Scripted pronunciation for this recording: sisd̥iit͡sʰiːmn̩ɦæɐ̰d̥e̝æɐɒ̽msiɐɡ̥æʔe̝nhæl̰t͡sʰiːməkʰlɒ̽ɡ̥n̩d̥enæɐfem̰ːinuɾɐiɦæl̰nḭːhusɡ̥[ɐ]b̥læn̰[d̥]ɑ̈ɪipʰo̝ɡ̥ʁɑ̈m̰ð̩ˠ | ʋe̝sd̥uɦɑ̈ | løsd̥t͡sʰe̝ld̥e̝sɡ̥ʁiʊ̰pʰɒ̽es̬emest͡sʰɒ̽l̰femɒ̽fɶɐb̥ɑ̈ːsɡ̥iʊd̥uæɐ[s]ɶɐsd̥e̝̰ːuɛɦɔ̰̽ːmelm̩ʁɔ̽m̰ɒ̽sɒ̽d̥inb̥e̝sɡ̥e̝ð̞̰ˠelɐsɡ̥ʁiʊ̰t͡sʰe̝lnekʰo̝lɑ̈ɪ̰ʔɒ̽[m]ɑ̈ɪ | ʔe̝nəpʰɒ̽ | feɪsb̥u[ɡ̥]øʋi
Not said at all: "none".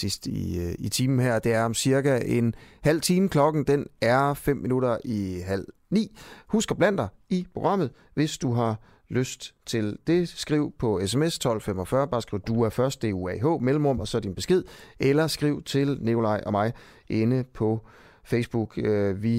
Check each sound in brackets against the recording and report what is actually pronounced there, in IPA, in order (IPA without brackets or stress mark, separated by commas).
ɐ, d̥, f, m, ɡ̥